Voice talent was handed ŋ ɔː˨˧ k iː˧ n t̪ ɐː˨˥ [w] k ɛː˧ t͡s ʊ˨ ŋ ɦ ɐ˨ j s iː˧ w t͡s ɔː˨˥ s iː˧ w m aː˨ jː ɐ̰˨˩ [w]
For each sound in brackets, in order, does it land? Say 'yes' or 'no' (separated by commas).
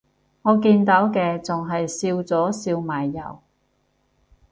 yes, yes